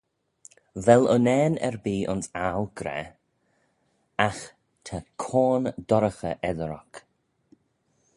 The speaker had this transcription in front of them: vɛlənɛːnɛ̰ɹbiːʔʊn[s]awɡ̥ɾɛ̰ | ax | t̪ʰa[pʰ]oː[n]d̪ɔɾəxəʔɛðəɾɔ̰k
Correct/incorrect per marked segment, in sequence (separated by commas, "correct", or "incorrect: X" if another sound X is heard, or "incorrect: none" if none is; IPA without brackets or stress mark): correct, incorrect: kʰ, correct